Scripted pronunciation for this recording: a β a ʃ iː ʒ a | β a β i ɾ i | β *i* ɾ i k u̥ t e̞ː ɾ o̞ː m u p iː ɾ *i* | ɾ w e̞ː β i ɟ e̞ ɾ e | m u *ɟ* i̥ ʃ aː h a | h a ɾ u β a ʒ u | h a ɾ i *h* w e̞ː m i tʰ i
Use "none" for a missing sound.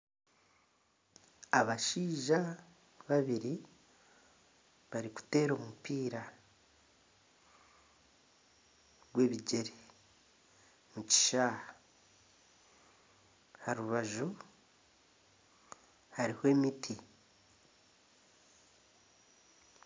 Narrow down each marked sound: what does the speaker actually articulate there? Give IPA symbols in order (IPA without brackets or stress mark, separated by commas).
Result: a, a, c, h